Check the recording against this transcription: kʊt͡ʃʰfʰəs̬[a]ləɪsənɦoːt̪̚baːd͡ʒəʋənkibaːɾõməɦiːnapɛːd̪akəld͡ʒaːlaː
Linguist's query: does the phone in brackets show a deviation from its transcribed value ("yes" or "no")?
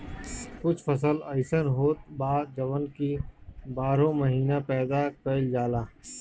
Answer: yes